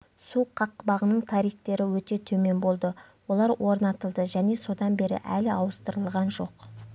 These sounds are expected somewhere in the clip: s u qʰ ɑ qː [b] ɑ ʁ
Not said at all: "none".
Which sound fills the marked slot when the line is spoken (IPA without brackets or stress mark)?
b